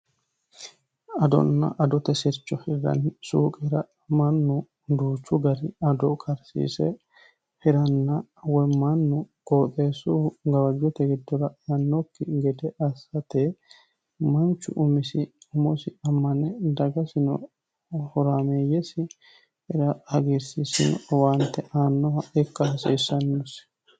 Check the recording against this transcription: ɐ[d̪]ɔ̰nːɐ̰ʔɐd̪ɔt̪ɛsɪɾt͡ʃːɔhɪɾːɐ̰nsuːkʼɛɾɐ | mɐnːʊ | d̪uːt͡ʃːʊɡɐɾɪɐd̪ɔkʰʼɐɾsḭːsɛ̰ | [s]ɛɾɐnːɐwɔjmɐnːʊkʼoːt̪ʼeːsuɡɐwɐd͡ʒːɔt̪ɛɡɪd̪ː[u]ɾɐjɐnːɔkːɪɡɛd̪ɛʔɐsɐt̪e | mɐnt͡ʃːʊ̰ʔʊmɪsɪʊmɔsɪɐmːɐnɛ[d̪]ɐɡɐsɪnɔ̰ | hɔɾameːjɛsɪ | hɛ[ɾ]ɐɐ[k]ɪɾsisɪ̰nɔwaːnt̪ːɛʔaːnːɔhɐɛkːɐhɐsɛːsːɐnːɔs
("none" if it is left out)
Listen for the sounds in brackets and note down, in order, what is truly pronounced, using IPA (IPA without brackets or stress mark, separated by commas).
d̪, h, ɔ, d̪, ɾ, ɡ